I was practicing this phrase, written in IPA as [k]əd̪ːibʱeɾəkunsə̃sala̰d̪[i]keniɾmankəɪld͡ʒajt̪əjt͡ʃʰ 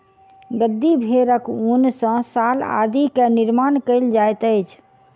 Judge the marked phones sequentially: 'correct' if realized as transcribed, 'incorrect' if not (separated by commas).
incorrect, correct